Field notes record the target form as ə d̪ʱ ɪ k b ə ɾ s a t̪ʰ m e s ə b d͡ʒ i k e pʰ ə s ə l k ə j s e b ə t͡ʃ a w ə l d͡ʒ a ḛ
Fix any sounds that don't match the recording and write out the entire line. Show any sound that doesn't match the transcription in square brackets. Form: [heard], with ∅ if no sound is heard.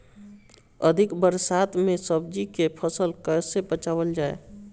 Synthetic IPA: ə d̪ʱ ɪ k b ə ɾ s a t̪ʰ m e s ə b d͡ʒ i k e pʰ ə s ə l k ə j s e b ə t͡ʃ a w ə l d͡ʒ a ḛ

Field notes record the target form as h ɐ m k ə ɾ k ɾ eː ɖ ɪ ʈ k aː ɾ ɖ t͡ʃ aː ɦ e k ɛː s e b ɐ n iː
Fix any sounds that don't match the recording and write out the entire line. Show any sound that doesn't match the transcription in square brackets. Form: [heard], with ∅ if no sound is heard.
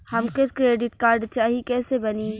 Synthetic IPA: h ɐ m k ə ɾ k ɾ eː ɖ ɪ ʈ k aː ɾ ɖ t͡ʃ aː ɦ [i] k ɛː s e b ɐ n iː

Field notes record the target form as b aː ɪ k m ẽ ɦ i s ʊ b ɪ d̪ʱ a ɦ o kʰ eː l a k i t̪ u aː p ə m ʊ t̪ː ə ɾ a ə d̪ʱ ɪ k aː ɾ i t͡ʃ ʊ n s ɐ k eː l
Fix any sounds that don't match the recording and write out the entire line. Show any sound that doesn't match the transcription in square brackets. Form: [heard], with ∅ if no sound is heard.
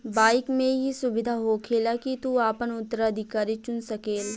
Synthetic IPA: b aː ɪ k m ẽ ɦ i s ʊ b ɪ d̪ʱ a ɦ o kʰ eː l a k i t̪ u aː p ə [n] ʊ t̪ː ə ɾ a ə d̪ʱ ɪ k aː ɾ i t͡ʃ ʊ n s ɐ k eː l

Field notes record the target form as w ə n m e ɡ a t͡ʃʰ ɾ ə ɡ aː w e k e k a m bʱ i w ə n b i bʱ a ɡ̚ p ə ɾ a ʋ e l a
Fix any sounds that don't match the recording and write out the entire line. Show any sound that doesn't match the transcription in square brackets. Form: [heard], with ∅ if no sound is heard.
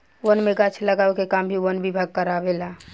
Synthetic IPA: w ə n m e ɡ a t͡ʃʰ [l] ə ɡ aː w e k e k a m bʱ i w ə n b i bʱ a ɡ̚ [k] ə ɾ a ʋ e l a

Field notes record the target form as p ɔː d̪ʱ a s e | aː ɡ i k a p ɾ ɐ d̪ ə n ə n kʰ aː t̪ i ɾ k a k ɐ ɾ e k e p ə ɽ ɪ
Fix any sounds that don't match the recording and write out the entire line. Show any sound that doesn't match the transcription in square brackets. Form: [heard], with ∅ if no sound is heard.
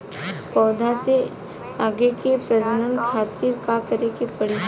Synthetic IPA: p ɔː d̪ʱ a s e | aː ɡ [e] k [e] p ɾ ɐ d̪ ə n ə n kʰ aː t̪ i ɾ k a k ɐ ɾ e k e p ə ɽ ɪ

